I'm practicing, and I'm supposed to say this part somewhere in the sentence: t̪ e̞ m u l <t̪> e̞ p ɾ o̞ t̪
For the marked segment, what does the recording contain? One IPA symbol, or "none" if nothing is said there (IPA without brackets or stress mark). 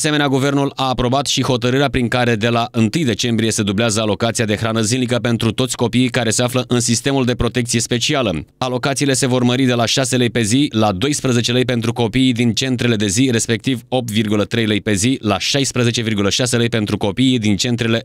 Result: d̪